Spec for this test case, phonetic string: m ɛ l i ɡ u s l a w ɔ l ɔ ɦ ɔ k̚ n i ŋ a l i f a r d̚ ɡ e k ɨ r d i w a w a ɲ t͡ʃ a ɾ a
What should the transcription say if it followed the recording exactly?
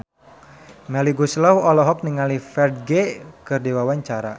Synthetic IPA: m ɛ l i ɡ u s l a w ɔ l ɔ ɦ ɔ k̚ n i ŋ a l i f ɛ r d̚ ɡ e k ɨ r d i w a w a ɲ t͡ʃ a ɾ a